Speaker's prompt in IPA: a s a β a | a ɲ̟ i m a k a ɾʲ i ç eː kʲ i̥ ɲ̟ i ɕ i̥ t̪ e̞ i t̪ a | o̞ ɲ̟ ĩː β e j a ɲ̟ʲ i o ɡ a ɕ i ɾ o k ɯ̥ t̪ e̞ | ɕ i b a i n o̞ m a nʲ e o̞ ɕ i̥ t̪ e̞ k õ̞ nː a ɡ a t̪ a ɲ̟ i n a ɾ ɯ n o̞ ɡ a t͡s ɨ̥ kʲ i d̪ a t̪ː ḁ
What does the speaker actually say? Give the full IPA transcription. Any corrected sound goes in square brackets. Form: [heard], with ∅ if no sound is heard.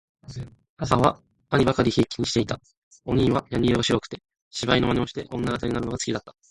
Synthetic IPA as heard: a s a β a | a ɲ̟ i [b] a k a ɾʲ i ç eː kʲ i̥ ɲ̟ i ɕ i̥ t̪ e̞ i t̪ a | o̞ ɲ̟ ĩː β [a] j a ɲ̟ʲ i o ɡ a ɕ i ɾ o k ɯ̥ t̪ e̞ | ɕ i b a i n o̞ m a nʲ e o̞ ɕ i̥ t̪ e̞ [ʔ] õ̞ nː a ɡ a t̪ a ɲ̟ i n a ɾ ɯ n o̞ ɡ a t͡s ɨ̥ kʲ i d̪ a t̪ː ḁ